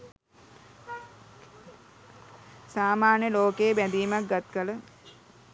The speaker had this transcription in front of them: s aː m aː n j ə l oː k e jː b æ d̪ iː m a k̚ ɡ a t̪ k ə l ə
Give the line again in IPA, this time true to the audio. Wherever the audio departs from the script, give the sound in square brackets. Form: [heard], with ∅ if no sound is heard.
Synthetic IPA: s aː m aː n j ə l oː k e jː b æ d̪ iː m a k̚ ɡ a t̪ k ə l ə